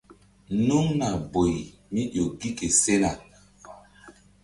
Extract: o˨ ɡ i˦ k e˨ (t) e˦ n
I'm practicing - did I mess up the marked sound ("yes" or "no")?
yes